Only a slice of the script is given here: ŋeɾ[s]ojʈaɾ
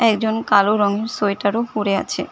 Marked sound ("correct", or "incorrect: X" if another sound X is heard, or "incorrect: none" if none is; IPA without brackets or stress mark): correct